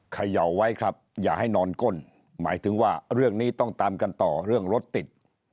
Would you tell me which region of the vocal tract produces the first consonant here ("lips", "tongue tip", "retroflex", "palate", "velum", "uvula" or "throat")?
velum